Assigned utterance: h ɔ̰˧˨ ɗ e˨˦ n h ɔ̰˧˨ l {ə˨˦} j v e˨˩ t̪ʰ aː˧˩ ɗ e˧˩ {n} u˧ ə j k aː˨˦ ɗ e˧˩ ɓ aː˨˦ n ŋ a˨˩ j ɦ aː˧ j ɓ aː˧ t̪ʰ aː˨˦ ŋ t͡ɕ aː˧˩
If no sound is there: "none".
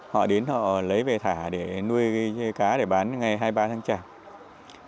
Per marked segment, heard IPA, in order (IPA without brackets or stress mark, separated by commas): ə˨˦, n